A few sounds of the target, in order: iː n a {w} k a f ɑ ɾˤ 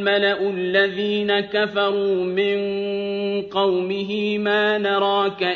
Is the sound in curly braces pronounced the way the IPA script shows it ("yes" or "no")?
no